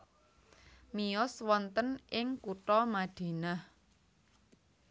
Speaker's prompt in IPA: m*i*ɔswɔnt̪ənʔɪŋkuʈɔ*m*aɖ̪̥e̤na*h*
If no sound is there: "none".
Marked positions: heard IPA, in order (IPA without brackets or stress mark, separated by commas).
i, m, h